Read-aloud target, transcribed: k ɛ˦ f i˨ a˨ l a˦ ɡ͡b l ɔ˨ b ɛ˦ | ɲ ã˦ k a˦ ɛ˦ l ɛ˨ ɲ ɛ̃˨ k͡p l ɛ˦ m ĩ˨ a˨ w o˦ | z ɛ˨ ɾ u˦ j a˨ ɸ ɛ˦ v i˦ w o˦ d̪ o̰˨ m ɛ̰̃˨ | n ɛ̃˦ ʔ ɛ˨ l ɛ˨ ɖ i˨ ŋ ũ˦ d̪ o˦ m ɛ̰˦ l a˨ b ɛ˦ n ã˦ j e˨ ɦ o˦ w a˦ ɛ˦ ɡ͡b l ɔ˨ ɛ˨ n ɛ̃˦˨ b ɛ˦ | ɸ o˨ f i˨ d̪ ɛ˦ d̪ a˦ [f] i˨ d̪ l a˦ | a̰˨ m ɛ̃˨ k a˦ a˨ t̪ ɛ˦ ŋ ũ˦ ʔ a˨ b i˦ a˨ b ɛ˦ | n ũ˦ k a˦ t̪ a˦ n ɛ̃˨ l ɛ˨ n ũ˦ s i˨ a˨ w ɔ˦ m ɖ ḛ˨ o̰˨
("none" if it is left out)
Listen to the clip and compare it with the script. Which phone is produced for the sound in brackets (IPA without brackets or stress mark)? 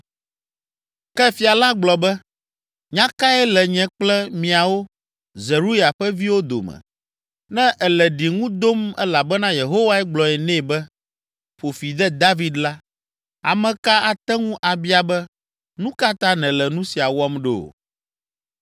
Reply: v